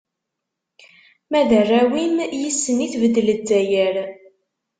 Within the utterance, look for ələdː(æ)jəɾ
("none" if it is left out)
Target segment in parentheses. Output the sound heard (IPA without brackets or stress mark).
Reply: æ